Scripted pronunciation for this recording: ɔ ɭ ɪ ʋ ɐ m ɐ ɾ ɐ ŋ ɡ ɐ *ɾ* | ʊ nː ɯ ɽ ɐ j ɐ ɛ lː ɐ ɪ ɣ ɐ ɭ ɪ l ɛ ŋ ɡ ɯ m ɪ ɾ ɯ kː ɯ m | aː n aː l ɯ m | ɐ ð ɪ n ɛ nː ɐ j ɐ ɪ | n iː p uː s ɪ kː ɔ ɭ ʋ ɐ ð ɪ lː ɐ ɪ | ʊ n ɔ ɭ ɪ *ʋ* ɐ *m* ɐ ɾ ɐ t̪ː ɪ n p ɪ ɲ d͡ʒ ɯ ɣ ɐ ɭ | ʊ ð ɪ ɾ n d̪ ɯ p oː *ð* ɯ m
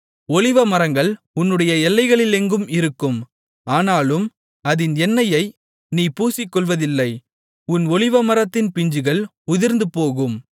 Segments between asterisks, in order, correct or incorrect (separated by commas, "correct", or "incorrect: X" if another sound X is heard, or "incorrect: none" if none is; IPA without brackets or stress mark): incorrect: ɭ, correct, correct, incorrect: ɣ